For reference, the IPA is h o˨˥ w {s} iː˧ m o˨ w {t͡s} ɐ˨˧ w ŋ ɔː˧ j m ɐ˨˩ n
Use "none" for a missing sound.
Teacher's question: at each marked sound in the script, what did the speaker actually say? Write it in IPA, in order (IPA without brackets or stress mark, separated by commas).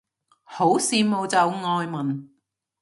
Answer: s, t͡s